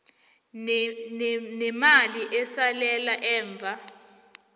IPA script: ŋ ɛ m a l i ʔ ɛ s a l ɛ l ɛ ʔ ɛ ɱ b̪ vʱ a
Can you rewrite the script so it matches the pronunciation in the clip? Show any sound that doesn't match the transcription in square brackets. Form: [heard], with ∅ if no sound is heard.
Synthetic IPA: [n] ɛ m a l i ʔ ɛ s a l ɛ l [a] ʔ [ɛː] ɱ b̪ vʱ a